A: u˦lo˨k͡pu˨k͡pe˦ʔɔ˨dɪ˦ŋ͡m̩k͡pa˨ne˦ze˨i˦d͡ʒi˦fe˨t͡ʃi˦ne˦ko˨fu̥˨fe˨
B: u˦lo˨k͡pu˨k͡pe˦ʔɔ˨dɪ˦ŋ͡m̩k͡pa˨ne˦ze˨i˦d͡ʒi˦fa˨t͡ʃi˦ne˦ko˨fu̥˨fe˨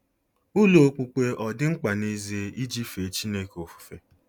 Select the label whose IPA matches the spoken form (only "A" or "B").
A